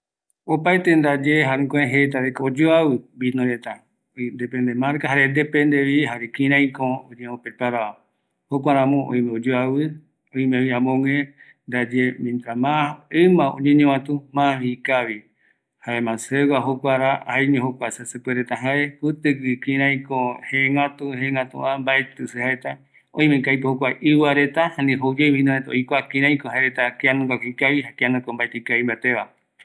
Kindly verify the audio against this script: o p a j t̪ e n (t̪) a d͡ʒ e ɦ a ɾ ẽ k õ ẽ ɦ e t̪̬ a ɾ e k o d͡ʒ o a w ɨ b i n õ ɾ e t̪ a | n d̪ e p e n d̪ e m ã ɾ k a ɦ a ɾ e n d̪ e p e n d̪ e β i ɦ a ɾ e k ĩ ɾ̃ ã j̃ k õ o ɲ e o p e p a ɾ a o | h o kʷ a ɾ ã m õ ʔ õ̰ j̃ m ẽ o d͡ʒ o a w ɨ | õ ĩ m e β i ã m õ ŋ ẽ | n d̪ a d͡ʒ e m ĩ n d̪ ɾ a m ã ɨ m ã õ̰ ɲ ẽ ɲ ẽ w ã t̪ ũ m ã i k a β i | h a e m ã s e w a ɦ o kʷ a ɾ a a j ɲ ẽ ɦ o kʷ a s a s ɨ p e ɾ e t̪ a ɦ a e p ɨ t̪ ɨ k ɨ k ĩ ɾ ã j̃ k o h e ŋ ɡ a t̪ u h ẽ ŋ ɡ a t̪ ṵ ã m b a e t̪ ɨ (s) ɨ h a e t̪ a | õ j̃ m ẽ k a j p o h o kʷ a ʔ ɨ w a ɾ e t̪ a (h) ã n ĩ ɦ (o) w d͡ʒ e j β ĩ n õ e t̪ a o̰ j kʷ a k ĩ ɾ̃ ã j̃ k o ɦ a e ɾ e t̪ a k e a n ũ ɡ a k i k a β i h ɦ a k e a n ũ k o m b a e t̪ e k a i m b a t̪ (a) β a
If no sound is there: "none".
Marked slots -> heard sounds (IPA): d̪, s, h, o, e

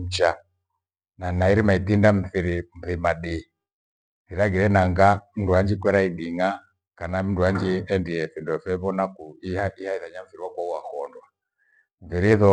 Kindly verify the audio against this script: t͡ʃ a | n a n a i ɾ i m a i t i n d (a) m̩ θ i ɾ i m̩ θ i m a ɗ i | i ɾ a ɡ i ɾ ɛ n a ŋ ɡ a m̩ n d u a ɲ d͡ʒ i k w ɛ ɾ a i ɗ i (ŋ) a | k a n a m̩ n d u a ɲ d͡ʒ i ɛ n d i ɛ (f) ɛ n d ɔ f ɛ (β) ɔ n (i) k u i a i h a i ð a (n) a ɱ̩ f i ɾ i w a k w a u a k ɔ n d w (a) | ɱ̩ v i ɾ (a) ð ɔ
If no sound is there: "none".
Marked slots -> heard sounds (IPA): a, ŋ, f, β, a, ɲ, a, i

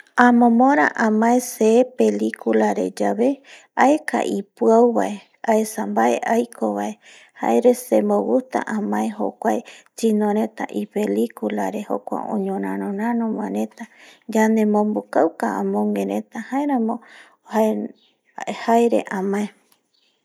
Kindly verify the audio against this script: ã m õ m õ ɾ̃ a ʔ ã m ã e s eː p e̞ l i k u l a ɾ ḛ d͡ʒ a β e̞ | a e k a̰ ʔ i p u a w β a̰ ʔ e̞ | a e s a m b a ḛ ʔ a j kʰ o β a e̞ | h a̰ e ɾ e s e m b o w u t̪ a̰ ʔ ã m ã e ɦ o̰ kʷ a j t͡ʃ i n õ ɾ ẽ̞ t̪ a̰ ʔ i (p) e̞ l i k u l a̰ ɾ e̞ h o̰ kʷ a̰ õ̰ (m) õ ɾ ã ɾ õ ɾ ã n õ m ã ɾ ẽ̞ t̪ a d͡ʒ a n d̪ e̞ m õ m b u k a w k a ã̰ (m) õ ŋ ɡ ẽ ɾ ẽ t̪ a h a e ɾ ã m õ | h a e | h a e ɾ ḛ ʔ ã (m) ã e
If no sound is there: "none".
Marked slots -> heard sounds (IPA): p, ɲ, m, m

